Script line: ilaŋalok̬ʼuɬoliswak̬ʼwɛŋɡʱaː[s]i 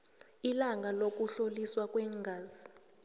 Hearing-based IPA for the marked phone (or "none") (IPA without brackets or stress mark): z